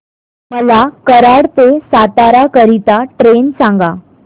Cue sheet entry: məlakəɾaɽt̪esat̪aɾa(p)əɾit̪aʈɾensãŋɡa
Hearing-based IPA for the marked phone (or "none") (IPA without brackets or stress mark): k